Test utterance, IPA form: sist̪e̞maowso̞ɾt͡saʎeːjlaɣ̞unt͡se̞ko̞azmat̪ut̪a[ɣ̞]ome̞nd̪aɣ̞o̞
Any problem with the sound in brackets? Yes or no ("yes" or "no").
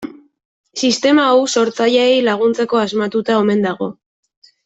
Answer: yes